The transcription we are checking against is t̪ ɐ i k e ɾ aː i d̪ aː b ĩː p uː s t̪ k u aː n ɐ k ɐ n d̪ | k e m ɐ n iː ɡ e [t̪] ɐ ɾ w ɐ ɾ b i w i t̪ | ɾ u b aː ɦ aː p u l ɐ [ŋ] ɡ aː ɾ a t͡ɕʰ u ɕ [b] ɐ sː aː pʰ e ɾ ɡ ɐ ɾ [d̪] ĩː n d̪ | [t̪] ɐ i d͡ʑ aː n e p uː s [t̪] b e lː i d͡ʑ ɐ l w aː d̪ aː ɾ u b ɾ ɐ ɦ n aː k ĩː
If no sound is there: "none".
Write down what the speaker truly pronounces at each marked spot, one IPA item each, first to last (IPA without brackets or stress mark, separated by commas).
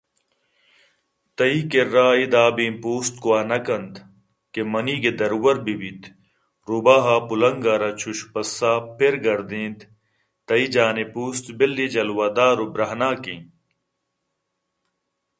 d̪, ŋ, p, d̪, t̪, t̪